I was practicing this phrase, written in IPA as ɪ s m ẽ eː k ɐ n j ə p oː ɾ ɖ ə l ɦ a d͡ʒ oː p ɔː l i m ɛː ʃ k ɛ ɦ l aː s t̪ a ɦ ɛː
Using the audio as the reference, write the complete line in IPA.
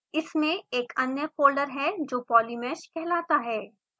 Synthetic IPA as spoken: ɪ s m ẽ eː k ɐ n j ə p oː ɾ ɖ ə ɾ ɦ ɛ d͡ʒ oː p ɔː l i m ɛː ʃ k ɛ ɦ l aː t̪ a ɦ ɛː